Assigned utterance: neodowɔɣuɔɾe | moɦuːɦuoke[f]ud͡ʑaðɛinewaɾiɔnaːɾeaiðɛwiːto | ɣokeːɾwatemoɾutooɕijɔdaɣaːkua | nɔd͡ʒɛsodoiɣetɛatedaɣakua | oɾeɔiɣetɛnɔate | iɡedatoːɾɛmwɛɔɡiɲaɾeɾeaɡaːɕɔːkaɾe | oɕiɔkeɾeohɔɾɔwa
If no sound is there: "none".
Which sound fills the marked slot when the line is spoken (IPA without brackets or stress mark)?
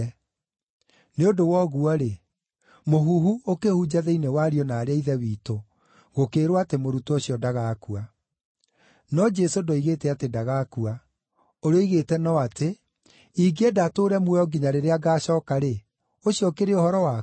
h